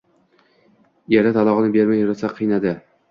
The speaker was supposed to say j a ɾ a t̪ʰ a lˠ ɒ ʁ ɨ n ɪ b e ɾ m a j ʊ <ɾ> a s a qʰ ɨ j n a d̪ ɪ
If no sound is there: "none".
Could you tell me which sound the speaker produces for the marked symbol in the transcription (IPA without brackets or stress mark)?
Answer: ɾ